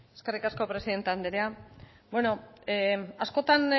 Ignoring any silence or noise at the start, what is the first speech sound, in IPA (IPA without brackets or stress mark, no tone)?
e